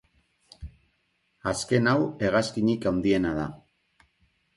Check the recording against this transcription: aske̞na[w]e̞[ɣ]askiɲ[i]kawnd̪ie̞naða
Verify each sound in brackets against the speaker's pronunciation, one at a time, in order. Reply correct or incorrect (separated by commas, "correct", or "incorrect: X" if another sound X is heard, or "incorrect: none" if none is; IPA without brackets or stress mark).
correct, correct, correct